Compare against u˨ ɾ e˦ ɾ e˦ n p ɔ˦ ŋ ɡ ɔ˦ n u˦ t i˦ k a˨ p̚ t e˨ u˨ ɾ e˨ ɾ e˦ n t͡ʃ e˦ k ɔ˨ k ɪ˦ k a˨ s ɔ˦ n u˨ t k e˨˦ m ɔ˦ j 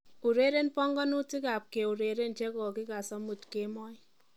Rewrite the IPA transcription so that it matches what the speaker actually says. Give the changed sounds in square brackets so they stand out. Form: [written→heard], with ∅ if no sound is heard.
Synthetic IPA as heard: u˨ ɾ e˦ ɾ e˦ n p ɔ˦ ŋ ɡ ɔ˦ n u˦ t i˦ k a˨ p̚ [t→k] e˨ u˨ ɾ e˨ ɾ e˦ n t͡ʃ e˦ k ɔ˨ k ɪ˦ k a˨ s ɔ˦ [n→m] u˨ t k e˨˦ m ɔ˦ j